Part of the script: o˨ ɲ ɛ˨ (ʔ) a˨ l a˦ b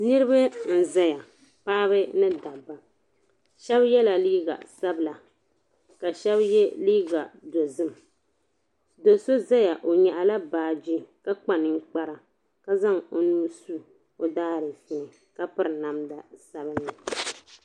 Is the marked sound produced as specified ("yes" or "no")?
yes